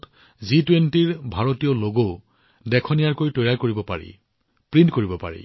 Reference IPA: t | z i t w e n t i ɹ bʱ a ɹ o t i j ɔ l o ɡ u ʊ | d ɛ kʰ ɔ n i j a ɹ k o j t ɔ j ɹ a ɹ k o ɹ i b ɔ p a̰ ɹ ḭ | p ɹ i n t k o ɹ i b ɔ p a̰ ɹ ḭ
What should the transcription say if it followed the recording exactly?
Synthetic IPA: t | z i t w e n t i ɹ bʱ a ɹ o t i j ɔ l o ɡ o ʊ | d ɛ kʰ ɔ n i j a ɹ k o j t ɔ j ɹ a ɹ k o ɹ i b ɔ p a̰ ɹ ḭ | p ɹ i n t k o ɹ i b ɔ p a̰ ɹ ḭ